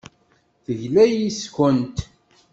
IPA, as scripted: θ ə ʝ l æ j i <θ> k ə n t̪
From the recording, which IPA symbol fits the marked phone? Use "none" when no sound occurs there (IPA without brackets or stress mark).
s